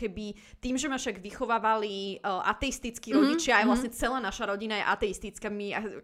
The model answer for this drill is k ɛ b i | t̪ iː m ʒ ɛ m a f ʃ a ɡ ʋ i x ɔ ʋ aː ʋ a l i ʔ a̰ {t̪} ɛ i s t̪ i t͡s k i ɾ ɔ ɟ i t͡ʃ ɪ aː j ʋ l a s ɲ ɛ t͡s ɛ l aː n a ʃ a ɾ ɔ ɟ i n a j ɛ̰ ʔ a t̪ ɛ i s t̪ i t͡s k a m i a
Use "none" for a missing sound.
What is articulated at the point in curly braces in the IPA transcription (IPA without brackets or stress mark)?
t̪